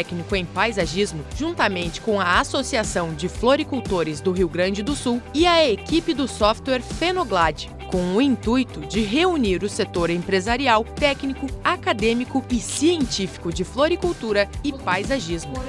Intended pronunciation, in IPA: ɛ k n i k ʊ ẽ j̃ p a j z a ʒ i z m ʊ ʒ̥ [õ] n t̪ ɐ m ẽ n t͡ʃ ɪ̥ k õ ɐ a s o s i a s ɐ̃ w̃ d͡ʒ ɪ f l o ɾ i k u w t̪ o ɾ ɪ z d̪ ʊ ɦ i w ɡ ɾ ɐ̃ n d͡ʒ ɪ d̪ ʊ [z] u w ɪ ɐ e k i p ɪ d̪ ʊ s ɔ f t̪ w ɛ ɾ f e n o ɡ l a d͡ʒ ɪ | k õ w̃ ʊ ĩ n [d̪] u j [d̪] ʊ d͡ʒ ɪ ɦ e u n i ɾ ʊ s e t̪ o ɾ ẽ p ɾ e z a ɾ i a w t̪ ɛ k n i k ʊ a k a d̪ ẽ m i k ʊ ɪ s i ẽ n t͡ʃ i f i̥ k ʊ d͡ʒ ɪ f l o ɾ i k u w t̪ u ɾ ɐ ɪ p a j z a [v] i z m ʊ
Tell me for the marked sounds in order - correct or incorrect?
incorrect, incorrect, incorrect, incorrect, incorrect

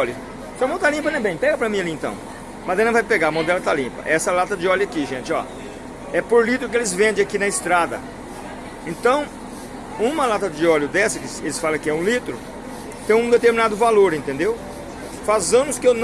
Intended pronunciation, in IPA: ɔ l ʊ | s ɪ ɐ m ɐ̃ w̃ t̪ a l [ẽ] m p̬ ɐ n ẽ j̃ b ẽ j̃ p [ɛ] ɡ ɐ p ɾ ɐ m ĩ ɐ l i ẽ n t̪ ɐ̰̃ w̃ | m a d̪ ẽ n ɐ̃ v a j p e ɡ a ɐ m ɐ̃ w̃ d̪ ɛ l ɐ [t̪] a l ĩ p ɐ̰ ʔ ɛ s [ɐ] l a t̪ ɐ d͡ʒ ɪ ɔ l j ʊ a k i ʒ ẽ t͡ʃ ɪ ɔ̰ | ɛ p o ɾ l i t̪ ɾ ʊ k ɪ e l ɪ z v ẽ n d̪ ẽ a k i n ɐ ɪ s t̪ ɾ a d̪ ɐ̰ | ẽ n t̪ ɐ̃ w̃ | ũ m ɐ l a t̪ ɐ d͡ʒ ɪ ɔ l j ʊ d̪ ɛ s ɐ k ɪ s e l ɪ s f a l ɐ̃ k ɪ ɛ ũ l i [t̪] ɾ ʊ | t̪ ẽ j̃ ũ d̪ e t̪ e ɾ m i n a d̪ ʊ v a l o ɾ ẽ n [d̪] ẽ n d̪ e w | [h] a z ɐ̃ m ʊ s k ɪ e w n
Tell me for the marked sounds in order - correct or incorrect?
incorrect, correct, correct, correct, correct, incorrect, incorrect

